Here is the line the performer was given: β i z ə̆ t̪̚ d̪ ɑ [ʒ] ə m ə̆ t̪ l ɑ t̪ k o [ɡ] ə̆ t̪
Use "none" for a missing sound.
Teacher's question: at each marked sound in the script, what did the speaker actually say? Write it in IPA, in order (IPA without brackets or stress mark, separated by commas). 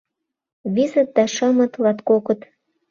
ʃ, k